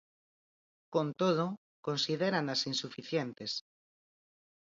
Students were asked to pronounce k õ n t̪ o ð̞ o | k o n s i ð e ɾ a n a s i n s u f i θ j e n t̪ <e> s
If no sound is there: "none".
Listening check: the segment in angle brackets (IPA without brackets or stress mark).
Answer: e